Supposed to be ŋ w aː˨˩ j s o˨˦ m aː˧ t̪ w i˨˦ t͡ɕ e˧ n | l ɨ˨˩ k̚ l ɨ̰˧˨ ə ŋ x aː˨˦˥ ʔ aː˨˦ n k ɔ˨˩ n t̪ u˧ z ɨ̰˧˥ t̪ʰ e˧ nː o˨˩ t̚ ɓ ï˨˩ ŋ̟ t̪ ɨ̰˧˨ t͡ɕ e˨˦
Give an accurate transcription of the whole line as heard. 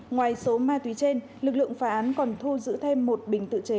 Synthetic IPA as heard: ŋ w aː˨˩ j s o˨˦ m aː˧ t̪ w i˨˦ t͡ɕ e˧ n | l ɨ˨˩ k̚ l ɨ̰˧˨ ə ŋ f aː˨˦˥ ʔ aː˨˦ n k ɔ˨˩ n t̪ʰ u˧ z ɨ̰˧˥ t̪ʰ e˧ mː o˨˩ t̚ ɓ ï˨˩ ŋ̟ t̪ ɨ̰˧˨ t͡ɕ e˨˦